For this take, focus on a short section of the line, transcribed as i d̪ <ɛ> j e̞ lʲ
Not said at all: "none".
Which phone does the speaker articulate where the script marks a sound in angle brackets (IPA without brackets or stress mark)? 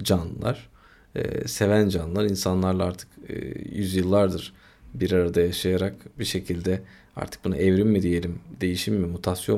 i